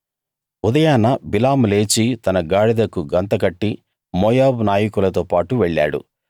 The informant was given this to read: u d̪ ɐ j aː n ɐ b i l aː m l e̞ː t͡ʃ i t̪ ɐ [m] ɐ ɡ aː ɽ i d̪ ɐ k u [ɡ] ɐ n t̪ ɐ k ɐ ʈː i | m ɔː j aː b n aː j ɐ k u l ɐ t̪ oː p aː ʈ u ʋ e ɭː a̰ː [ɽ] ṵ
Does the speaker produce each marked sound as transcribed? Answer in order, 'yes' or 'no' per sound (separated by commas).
no, yes, yes